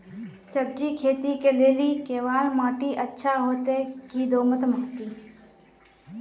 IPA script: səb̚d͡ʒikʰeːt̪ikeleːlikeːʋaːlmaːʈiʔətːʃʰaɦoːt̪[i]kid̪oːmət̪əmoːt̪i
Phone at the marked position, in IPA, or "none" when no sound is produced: e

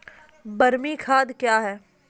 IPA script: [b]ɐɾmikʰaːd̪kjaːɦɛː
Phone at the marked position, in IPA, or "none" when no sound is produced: b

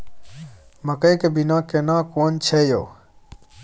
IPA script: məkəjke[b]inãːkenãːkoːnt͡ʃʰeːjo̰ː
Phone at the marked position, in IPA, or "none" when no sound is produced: b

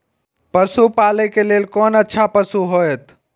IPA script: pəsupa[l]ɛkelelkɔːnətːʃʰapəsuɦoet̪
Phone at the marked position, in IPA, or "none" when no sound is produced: l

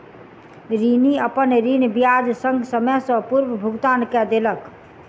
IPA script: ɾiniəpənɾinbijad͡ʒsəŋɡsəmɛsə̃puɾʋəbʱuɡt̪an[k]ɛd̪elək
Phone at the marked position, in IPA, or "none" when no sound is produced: k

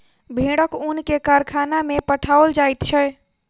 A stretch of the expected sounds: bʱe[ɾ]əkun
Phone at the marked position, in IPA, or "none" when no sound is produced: ɽ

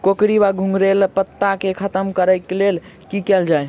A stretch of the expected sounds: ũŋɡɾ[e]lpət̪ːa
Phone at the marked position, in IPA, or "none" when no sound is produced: e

